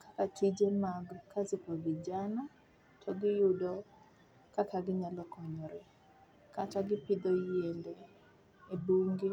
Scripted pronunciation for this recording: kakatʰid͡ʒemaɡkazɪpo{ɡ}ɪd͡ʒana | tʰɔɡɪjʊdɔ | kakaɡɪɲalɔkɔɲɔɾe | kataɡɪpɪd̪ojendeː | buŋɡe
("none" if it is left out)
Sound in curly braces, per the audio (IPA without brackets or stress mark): ɡ